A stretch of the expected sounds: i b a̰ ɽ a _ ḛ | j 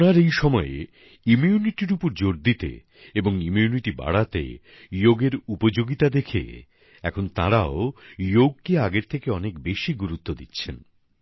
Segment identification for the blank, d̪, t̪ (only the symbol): t̪